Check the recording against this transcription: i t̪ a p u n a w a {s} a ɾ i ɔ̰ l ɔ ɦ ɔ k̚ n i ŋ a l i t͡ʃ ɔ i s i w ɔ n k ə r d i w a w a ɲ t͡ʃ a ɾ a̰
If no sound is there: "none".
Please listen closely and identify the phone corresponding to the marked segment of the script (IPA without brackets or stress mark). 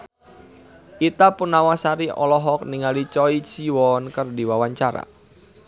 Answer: s